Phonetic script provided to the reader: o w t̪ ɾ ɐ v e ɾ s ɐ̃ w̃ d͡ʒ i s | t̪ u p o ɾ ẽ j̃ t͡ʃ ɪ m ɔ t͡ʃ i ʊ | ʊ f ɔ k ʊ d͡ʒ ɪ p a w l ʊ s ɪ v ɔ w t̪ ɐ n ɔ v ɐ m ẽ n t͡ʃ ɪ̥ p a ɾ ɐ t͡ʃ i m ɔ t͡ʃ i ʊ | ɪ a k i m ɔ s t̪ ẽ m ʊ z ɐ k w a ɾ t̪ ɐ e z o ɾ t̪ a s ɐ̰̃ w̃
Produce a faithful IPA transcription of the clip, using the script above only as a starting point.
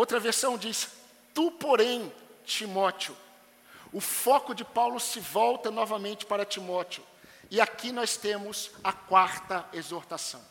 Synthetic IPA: o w t̪ ɾ ɐ v e ɾ s ɐ̃ w̃ d͡ʒ i s | t̪ u p o ɾ ẽ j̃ t͡ʃ i m ɔ t͡ʃ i ʊ | ʊ f ɔ k ʊ d͡ʒ ɪ p a w l ʊ s ɪ v ɔ w t̪ ɐ n ɔ v ɐ m ẽ n t͡ʃ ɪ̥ p a ɾ ɐ t͡ʃ i m ɔ t͡ʃ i ʊ | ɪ a k i n ɔ s t̪ ẽ m ʊ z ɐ k w a ɾ t̪ ɐ e z o ɾ t̪ a s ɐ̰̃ w̃